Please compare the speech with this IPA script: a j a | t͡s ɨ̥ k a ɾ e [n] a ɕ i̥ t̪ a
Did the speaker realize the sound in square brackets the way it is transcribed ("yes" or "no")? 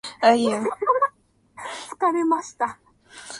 no